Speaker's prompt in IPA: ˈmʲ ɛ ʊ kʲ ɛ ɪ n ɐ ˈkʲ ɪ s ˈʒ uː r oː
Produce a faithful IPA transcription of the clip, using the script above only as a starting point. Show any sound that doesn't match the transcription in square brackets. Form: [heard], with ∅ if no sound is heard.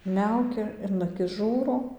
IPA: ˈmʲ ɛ ʊ kʲ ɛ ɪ n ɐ ˈkʲ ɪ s ˈʒ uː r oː